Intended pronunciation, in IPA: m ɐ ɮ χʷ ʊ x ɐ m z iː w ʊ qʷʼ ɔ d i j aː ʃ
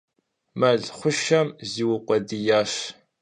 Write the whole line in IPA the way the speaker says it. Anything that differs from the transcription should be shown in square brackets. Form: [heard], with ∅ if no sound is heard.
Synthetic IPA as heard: m ɐ ɮ χʷ ʊ [ʃ] ɐ m z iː w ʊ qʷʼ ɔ d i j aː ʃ